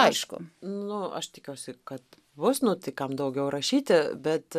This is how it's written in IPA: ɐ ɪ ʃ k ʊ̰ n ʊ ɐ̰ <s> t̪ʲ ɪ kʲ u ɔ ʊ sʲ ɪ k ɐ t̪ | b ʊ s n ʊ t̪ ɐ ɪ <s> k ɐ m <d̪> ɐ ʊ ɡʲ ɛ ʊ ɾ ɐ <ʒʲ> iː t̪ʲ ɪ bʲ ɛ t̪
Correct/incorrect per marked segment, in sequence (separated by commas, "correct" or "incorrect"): incorrect, incorrect, correct, incorrect